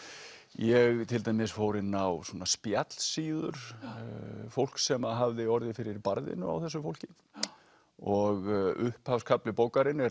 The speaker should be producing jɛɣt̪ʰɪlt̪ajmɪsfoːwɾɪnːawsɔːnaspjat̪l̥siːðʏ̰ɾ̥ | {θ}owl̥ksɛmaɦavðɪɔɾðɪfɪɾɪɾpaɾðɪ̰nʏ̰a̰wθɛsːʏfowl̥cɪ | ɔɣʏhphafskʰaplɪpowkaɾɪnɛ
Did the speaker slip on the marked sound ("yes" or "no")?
yes